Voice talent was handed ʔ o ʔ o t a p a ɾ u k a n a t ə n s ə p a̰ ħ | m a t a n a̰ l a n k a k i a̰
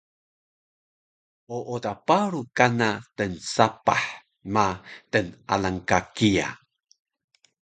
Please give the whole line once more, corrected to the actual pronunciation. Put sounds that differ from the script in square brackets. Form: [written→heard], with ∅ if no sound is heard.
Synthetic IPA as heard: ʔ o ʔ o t a p a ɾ u k a n a t ə n s [ə→a] p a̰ ħ | m a t [a→ə] n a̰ l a [n→ŋ] k a k i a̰